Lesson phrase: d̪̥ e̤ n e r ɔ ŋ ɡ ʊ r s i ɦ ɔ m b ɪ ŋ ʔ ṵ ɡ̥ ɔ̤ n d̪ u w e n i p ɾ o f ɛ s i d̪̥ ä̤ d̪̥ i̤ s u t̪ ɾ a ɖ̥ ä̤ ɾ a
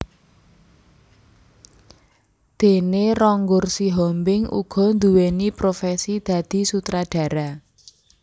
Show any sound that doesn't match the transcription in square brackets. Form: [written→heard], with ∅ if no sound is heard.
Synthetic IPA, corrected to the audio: d̪̥ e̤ n e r ɔ ŋ ɡ ʊ r s i ɦ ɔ m b ɪ ŋ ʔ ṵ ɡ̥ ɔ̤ n d̪ u w e n i p ɾ o f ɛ s i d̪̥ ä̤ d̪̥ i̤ s u t̪ ɾ a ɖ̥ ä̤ ɾ a